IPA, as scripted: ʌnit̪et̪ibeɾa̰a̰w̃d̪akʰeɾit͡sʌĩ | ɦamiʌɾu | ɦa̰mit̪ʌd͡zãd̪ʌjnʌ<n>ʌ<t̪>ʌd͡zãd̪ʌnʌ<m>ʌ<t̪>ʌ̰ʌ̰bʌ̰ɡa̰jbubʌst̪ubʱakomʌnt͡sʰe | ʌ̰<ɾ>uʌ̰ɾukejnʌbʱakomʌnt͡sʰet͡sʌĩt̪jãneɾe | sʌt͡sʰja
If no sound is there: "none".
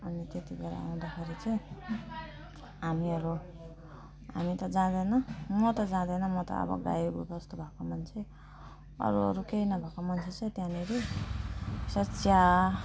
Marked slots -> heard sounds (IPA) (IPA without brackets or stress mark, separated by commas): m, t̪, m, t̪, ɾ